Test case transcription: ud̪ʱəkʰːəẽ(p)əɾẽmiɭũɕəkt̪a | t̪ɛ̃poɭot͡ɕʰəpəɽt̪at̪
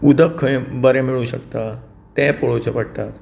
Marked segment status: incorrect: b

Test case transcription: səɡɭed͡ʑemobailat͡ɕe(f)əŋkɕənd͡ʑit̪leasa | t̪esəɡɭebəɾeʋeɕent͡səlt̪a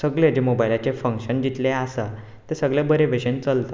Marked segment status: correct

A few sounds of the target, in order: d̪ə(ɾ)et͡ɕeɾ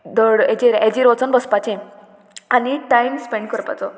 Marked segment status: incorrect: ɽ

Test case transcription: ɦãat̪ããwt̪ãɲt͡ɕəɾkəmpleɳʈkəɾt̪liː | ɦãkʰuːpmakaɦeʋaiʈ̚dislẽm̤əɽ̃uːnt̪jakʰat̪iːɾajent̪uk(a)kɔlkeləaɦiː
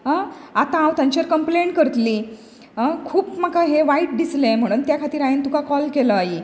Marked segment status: correct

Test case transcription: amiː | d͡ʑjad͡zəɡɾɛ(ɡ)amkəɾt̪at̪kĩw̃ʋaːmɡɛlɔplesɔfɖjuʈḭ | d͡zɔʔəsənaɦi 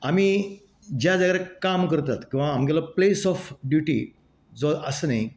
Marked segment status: incorrect: k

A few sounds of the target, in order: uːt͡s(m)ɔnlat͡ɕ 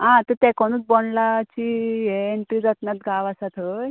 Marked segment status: incorrect: b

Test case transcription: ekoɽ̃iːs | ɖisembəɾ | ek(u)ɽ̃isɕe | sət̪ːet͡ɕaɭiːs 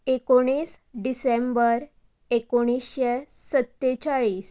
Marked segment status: incorrect: o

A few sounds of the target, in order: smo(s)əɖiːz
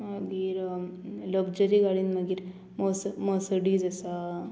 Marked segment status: correct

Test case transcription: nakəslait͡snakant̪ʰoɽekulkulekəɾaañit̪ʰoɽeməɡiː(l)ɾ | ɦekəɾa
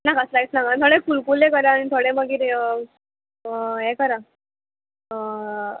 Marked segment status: incorrect: none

